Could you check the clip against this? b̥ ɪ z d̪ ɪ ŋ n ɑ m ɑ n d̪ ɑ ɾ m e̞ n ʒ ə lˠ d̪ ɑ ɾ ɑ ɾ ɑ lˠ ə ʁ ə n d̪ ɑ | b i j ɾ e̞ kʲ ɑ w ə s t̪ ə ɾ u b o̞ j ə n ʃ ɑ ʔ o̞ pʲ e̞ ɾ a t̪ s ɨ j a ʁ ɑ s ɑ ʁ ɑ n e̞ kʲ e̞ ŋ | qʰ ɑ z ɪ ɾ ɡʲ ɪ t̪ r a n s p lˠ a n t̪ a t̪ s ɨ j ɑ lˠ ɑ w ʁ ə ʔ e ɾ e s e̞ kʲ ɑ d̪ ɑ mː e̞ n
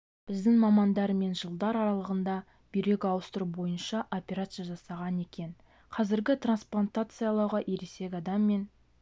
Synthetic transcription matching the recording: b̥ ɪ z d̪ ɪ ŋ m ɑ m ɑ n d̪ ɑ ɾ m e̞ n ʒ ə lˠ d̪ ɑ ɾ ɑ ɾ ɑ lˠ ə ʁ ə n d̪ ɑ | b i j ɾ e̞ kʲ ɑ w ə s t̪ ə ɾ u b o̞ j ə n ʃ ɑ ʔ o̞ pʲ e̞ ɾ a t̪ s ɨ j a ʒ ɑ s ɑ ʁ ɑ n e̞ kʲ e̞ n | qʰ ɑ z ɪ ɾ ɡʲ ɪ t̪ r a n s p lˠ a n t̪ a t̪ s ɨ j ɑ lˠ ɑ w ʁ ɑ ʔ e ɾ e s e̞ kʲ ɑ d̪ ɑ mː e̞ n